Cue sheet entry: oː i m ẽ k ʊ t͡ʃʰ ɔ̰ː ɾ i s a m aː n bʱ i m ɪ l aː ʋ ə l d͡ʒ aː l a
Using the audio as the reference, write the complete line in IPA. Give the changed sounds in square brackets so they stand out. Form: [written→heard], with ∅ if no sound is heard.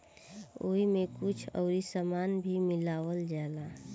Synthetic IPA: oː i m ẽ k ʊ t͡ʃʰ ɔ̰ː ɾ i s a m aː n bʱ i m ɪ l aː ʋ ə l d͡ʒ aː l a